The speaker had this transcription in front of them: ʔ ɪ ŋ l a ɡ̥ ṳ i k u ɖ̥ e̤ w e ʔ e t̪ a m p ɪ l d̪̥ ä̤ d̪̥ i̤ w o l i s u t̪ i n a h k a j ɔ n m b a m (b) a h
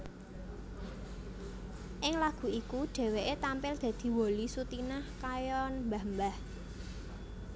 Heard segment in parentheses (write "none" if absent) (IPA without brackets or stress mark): b